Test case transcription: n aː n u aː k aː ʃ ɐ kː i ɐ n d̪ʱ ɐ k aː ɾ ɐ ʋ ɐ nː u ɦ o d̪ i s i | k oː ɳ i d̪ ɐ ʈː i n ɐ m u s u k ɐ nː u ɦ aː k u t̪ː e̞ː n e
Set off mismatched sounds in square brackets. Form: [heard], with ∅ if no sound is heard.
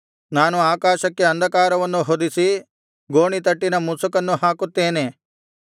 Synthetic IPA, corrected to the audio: n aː n u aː k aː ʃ ɐ kː [e] ɐ n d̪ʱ ɐ k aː ɾ ɐ ʋ ɐ nː u ɦ o d̪ i s i | [ɡ] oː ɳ i [t̪] ɐ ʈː i n ɐ m u s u k ɐ nː u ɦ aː k u t̪ː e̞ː n e